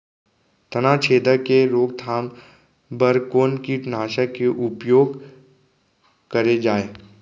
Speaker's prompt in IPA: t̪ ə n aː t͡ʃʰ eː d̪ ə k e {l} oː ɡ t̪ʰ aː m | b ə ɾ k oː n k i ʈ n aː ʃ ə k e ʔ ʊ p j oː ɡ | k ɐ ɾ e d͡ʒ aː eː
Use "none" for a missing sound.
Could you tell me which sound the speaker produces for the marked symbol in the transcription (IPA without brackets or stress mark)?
ɾ